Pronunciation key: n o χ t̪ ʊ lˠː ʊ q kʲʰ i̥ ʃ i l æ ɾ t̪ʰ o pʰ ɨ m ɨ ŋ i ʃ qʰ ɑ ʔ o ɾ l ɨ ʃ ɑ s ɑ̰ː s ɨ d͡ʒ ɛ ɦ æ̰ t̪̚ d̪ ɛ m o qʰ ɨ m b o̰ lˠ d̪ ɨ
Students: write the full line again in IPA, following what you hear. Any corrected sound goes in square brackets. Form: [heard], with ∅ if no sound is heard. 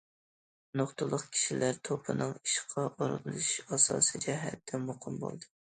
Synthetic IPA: n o χ t̪ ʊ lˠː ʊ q kʲʰ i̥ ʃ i l æ ɾ t̪ʰ o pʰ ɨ [n] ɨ ŋ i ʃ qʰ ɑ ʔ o ɾ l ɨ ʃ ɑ s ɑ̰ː s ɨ d͡ʒ ɛ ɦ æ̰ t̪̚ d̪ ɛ m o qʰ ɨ m b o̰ lˠ d̪ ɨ